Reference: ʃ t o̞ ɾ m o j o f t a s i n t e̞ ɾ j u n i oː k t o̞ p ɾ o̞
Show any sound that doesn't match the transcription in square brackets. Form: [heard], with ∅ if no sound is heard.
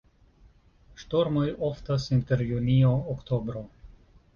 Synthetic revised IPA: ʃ t o̞ ɾ m o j o f t a s i n t e̞ ɾ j u n i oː k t o̞ [b] ɾ o̞